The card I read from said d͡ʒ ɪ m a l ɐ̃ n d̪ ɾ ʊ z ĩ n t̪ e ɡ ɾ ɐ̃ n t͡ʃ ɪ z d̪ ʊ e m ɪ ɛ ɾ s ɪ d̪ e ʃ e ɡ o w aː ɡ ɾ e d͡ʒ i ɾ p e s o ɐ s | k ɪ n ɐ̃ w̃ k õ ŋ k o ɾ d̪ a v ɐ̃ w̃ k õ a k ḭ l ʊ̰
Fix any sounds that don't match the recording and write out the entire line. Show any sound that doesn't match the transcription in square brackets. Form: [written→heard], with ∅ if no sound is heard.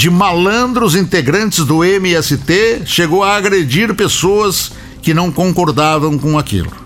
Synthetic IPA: d͡ʒ ɪ m a l ɐ̃ n d̪ ɾ ʊ z ĩ n t̪ e ɡ ɾ ɐ̃ n t͡ʃ ɪ z d̪ ʊ e m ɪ ɛ [ɾ→∅] s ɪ [d̪→t̪] e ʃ e ɡ o w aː ɡ ɾ e d͡ʒ i ɾ p e s o ɐ s | k ɪ n ɐ̃ w̃ k õ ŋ k o ɾ d̪ a v ɐ̃ w̃ k õ a k ḭ l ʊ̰